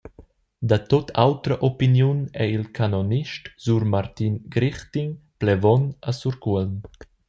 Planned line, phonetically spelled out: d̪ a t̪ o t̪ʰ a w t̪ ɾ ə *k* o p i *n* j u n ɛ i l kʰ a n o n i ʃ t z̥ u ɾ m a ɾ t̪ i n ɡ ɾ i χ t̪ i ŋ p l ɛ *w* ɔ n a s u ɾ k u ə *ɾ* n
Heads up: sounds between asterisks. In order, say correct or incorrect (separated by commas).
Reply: incorrect, correct, incorrect, incorrect